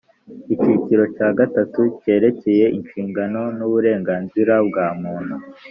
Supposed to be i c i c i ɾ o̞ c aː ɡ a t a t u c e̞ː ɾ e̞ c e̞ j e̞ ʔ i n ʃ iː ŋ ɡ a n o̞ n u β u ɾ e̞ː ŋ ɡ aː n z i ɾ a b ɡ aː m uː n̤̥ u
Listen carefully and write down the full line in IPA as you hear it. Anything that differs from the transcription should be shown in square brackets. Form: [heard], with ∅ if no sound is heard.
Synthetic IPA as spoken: i c i c i ɾ o̞ c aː ɡ a t a t u c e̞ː ɾ e̞ c e̞ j e̞ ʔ i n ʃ iː ŋ ɡ a n o̞ n u β u ɾ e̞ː ŋ ɡ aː n z i ɾ a b ɡ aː m uː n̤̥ u